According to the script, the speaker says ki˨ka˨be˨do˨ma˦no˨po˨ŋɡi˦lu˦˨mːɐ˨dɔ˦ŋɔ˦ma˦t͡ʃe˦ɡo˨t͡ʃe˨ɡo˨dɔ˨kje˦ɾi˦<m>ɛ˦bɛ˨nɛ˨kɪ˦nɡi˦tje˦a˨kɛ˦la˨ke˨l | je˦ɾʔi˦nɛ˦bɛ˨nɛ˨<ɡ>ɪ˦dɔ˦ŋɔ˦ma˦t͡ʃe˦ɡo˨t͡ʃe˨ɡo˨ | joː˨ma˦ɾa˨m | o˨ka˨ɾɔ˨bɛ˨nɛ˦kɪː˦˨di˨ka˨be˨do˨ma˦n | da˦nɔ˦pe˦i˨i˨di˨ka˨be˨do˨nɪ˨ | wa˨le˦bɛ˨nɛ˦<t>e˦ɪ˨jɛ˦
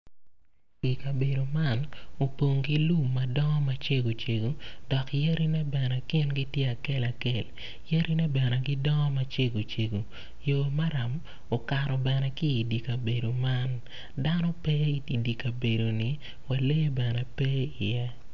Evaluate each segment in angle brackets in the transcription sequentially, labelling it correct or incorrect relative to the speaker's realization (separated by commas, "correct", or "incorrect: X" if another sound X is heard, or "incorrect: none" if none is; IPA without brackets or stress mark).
incorrect: n, correct, incorrect: p